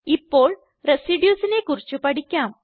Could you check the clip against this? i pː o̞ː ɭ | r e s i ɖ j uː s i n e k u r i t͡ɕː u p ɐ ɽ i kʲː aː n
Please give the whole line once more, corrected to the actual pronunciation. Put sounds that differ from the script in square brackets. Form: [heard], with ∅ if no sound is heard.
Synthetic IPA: i pː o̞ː ɭ | r e s i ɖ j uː s i n e k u r i t͡ɕː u p ɐ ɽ i kʲː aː [m]